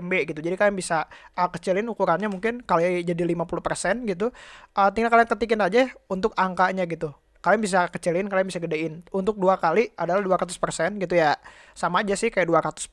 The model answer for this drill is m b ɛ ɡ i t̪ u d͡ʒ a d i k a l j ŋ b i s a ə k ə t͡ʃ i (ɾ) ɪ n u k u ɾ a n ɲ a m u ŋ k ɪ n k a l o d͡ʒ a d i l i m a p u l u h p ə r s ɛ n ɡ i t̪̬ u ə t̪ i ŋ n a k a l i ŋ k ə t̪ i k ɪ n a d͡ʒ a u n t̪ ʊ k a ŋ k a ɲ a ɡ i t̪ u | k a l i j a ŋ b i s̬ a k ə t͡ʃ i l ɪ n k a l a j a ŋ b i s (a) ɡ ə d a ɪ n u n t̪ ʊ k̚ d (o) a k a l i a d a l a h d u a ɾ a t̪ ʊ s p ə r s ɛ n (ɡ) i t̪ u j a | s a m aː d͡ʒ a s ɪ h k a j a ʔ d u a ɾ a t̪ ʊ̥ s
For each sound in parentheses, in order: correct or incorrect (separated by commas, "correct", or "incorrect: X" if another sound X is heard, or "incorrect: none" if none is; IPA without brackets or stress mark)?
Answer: incorrect: l, correct, incorrect: u, correct